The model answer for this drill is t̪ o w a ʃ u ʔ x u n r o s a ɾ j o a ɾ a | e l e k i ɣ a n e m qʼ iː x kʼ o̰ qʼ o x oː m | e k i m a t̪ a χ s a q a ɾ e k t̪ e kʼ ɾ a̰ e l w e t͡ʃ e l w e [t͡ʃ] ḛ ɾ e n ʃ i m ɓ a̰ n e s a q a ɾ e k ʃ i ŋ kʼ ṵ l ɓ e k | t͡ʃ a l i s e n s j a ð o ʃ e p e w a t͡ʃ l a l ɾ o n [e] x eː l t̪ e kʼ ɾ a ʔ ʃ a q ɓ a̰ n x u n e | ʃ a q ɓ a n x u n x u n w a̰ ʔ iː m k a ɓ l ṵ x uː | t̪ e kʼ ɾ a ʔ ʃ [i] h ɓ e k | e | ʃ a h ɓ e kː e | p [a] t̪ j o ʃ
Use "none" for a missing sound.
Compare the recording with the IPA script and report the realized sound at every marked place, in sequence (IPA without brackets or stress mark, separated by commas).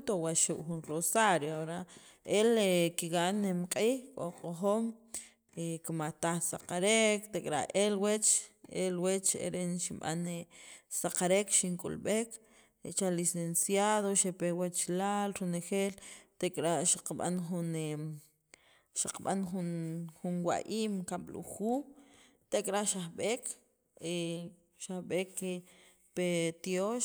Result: t͡ʃ, e, a, e